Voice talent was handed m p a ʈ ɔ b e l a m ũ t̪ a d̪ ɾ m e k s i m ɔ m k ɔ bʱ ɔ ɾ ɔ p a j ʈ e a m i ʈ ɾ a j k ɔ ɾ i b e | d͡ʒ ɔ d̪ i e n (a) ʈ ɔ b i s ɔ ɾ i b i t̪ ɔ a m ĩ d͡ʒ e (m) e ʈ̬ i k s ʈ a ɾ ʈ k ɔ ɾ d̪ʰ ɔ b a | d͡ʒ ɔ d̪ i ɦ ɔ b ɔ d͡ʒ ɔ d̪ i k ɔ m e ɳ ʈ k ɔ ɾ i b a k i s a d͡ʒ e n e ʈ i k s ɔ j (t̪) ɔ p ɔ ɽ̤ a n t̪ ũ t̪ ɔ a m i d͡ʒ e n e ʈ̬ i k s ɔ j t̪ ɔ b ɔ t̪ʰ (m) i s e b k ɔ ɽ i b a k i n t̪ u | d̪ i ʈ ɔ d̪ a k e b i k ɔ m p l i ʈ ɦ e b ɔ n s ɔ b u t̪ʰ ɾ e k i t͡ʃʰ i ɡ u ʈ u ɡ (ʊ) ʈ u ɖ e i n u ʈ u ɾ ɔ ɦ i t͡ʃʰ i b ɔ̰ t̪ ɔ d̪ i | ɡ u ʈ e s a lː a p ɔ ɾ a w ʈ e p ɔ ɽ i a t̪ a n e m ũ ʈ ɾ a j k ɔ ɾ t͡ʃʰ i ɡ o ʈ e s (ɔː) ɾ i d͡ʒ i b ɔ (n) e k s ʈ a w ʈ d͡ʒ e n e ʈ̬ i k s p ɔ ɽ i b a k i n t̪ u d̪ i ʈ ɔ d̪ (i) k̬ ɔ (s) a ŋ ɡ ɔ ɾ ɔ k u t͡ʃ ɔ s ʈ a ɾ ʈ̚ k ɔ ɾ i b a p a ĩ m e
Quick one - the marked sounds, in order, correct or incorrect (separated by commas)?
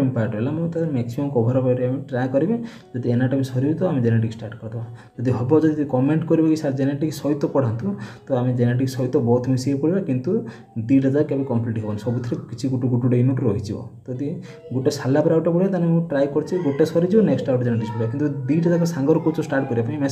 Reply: correct, incorrect, correct, correct, incorrect, incorrect, correct, incorrect, correct